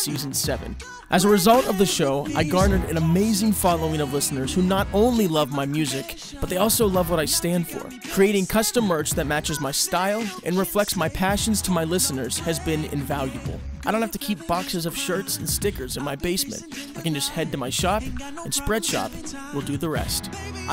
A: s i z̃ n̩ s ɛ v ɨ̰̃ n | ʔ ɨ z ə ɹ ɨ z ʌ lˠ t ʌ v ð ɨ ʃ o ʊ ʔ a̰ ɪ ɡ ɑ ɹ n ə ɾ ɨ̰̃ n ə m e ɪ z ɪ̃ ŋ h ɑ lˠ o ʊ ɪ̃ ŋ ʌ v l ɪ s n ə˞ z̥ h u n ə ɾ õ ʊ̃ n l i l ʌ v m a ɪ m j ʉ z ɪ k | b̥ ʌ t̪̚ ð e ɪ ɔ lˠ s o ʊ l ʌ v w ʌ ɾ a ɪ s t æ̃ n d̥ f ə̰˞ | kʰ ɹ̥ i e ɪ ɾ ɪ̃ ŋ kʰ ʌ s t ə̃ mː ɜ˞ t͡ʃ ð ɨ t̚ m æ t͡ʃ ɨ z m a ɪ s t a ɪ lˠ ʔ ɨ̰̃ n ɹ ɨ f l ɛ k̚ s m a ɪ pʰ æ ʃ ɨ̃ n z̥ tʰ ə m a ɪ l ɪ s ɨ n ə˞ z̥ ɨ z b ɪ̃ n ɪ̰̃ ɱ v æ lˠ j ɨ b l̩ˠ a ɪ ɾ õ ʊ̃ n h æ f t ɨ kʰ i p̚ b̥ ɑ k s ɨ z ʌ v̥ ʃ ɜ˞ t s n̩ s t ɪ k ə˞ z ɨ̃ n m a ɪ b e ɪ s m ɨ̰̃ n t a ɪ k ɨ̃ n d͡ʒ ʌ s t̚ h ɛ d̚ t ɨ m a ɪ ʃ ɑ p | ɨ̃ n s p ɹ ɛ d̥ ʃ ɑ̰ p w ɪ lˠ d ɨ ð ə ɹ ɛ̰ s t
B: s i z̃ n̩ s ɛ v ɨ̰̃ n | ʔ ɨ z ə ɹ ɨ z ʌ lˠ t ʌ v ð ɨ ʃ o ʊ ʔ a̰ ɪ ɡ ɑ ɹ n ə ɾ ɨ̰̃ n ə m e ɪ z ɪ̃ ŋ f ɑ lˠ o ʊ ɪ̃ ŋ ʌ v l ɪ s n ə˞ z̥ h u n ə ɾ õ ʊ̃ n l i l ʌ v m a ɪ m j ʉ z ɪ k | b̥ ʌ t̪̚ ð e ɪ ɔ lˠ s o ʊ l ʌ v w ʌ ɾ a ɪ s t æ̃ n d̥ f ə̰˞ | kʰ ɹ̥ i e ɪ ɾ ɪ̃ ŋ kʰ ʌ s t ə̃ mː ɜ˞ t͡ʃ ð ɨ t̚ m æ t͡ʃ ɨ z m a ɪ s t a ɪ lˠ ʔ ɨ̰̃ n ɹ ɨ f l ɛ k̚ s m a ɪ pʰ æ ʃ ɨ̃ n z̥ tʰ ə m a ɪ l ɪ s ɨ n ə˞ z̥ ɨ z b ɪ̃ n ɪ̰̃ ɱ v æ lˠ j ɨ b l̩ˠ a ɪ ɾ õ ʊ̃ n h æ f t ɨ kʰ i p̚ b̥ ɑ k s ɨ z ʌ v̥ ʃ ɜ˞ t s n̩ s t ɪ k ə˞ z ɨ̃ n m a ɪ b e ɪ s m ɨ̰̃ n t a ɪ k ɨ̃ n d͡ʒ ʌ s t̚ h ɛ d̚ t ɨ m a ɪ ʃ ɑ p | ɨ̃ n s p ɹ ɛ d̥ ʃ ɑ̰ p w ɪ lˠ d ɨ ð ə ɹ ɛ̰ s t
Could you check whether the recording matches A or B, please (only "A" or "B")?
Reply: B